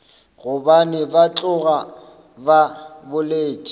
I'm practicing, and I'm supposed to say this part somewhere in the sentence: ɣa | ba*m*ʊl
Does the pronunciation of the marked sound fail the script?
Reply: yes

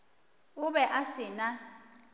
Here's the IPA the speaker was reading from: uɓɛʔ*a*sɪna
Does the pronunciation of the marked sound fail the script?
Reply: no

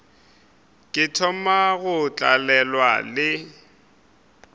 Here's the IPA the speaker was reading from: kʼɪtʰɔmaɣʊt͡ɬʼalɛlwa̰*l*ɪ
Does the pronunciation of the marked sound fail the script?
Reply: no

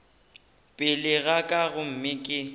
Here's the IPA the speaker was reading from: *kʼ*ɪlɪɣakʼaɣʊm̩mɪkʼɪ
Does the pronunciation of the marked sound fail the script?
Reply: yes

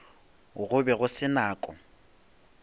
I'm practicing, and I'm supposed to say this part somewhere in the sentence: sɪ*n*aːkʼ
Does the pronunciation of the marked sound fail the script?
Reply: no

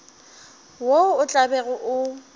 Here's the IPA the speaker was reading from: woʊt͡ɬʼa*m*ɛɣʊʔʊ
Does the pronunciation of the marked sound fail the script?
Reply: yes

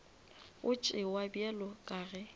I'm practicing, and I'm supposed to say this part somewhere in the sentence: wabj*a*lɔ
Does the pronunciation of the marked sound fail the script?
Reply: yes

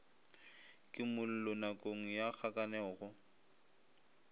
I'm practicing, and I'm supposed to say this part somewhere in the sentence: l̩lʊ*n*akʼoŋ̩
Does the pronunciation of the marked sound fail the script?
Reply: no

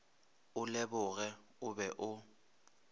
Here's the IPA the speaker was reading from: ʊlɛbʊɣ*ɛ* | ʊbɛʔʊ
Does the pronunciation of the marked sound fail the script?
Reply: no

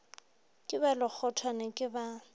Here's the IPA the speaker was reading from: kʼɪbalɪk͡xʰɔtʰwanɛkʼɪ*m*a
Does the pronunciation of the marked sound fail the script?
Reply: yes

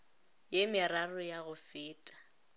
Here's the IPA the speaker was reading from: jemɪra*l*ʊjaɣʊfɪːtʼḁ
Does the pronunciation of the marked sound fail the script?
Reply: yes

